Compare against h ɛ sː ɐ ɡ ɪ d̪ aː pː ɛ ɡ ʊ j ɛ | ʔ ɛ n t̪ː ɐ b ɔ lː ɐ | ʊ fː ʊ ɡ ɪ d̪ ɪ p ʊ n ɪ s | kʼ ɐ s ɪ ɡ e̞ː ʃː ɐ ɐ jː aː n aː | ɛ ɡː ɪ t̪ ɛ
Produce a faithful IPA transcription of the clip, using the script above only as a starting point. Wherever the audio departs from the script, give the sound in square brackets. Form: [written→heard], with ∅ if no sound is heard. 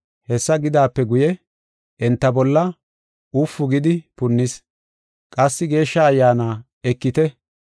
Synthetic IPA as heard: h ɛ sː ɐ ɡ ɪ d̪ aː pː ɛ ɡ ʊ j ɛ | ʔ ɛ n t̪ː ɐ b ɔ lː ɐ | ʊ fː ʊ ɡ ɪ d̪ ɪ p ʊ [n→nː] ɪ s | kʼ ɐ [s→sː] ɪ ɡ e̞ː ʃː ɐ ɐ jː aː n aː | ɛ [ɡː→kː] ɪ t̪ ɛ